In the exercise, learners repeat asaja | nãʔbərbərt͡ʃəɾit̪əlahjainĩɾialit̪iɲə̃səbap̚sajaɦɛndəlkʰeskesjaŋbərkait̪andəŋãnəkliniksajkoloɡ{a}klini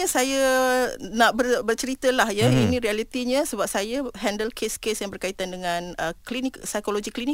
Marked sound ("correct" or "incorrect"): incorrect